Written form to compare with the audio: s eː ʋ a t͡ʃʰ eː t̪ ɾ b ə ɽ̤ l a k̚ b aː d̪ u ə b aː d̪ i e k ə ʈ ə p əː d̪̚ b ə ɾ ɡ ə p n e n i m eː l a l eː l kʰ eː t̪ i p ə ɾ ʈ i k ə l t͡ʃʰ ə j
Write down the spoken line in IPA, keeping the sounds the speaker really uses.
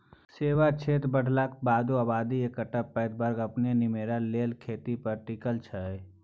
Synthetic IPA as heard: s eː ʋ a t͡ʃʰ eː t̪ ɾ b ə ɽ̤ l a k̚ b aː d̪ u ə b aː d̪ i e k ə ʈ ə p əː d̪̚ b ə ɾ ɡ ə p n e n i m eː ɾ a l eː l kʰ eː t̪ i p ə ɾ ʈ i k ə l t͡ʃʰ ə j